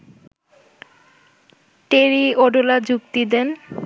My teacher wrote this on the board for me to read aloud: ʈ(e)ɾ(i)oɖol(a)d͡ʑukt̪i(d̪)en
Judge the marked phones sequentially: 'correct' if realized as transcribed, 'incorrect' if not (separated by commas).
correct, correct, correct, correct